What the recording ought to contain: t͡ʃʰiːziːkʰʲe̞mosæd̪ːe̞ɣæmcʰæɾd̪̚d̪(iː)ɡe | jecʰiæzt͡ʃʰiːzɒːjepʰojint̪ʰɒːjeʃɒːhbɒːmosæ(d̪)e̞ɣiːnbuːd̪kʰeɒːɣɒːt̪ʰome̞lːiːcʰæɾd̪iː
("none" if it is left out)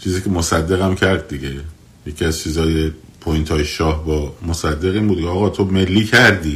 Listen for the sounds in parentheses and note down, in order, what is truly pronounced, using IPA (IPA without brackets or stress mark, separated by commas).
i, d̪ː